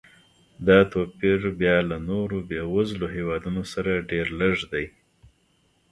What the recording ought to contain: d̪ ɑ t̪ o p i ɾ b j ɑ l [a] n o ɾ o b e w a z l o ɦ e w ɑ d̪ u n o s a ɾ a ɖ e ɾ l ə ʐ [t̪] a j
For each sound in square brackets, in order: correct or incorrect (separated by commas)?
correct, incorrect